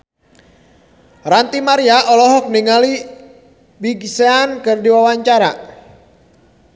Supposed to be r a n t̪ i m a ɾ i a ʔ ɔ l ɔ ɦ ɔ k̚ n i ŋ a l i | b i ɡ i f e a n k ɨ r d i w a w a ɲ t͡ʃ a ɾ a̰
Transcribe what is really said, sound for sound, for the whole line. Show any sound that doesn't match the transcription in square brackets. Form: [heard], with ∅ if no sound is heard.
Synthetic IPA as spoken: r a n t̪ i m a ɾ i a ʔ ɔ l ɔ ɦ ɔ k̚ n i ŋ a l i | b i ɡ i [s] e a n k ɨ r d i w a w a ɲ t͡ʃ a ɾ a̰